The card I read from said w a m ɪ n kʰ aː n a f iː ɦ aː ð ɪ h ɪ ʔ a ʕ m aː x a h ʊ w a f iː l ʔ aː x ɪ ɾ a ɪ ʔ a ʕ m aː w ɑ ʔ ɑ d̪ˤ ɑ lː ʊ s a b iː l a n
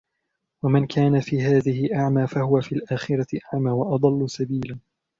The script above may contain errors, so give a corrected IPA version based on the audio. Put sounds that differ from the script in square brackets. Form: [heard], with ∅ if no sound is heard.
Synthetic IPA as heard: w a m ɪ n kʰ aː n a f iː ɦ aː ð ɪ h ɪ ʔ a ʕ m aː [f] a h ʊ w a f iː l ʔ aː x ɪ ɾ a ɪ ʔ a ʕ m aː w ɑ ʔ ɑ d̪ˤ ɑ lː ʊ s a b iː l a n